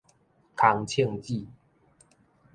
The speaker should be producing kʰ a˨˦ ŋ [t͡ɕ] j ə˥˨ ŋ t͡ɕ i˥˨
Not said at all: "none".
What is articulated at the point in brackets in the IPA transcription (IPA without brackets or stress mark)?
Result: t͡ɕʰ